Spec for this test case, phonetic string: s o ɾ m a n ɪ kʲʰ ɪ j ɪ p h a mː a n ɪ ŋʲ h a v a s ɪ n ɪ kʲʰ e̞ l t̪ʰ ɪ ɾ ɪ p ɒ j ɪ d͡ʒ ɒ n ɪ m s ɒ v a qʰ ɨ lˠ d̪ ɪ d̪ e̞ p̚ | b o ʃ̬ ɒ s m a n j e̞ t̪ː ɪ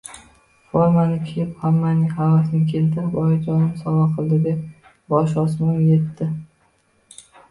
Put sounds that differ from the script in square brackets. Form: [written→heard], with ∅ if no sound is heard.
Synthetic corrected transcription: [s→f] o ɾ m a n ɪ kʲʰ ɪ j ɪ p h a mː a n ɪ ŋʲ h a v a s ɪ n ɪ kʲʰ e̞ l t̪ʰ ɪ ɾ ɪ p ɒ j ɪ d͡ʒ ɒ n ɪ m s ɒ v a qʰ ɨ lˠ d̪ ɪ d̪ e̞ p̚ | b [o→ɒ] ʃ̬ ɒ s m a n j e̞ t̪ː ɪ